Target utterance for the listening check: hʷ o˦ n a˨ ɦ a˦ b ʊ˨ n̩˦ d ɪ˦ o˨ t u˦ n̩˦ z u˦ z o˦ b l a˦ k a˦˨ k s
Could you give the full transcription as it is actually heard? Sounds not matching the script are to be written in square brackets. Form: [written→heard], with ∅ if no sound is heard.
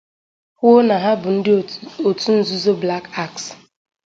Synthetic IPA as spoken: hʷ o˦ n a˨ ɦ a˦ b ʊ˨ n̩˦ d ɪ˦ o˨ t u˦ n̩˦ z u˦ z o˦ b l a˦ k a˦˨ k s